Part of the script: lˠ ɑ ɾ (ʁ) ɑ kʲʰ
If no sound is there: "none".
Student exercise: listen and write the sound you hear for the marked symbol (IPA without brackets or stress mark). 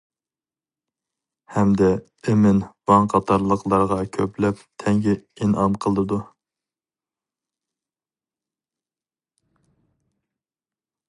ʁ